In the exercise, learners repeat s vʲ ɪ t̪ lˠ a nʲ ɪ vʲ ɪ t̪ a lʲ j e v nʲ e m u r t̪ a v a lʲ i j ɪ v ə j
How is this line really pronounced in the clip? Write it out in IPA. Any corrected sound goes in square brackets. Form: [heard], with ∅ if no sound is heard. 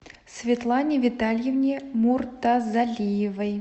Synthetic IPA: s vʲ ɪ t̪ lˠ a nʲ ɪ vʲ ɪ t̪ a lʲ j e v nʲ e m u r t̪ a [z] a lʲ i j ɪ v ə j

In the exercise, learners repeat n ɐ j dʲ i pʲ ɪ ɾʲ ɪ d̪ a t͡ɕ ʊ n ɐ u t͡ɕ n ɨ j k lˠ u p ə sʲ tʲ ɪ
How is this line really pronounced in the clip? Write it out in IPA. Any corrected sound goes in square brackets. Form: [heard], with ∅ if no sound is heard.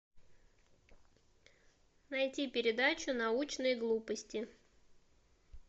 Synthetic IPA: n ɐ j [tʲ] i pʲ ɪ ɾʲ ɪ d̪ a t͡ɕ ʊ n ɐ u t͡ɕ n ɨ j [ɡ] lˠ u p ə sʲ tʲ ɪ

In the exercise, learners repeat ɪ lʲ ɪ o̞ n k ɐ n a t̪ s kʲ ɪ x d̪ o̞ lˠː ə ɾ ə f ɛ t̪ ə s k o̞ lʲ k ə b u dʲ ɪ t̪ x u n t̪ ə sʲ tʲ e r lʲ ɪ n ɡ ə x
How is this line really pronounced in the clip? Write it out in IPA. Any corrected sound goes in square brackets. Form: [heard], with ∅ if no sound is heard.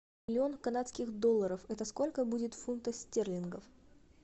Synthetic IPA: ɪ lʲ ɪ o̞ n k ɐ n a t̪ s kʲ ɪ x d̪ o̞ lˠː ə ɾ ə f ɛ t̪ ə s k o̞ lʲ k ə b u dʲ ɪ t̪ [f] u n t̪ ə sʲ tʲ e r lʲ ɪ n ɡ ə [f]

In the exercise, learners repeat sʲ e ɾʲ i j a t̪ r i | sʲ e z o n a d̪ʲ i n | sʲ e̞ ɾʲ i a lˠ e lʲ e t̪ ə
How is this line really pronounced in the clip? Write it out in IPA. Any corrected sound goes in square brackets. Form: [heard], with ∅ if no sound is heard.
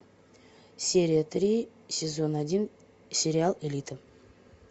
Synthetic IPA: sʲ e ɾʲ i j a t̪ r i | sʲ e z o n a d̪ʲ i n | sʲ e̞ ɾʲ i a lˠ e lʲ [i] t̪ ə

